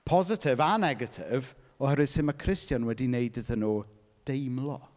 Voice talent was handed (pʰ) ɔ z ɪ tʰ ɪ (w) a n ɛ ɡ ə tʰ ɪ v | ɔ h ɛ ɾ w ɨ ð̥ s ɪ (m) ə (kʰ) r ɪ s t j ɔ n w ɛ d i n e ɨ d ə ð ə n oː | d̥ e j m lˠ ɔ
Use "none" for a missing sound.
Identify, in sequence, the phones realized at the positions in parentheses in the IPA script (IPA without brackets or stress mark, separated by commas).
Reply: pʰ, v, m, kʰ